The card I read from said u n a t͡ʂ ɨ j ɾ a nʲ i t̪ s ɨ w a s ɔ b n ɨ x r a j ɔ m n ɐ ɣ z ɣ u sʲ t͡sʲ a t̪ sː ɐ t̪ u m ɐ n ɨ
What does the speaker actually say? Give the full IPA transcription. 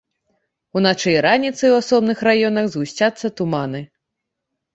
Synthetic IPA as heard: u n a t͡ʂ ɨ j ɾ a nʲ i t̪ s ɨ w a s ɔ b n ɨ x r a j ɔ n ɐ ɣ z ɣ u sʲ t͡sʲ a t̪ sː ɐ t̪ u m a n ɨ